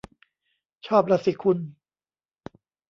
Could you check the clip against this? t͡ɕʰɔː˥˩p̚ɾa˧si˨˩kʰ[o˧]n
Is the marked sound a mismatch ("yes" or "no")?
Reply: yes